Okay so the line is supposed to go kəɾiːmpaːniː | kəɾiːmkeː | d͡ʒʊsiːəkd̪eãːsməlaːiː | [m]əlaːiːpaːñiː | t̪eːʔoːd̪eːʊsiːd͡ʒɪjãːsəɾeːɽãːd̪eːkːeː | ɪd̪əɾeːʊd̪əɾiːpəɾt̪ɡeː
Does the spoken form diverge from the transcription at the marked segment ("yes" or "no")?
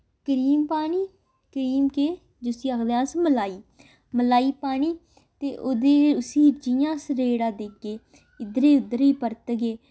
no